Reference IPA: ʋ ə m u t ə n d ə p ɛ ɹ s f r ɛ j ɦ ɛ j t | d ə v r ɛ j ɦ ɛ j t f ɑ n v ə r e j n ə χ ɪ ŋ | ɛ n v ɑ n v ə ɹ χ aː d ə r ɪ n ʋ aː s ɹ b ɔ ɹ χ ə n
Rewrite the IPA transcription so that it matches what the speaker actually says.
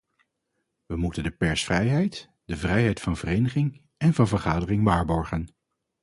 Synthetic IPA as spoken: ʋ ə m u t ə n d ə p ɛ ɹ s f r ɛ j ɦ ɛ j t | d ə v r ɛ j ɦ ɛ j t f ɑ n v ə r e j n ə χ ɪ ŋ | ɛ n v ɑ n v ə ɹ χ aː d ə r ɪ ŋ ʋ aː ɹ b ɔ ɹ χ ə n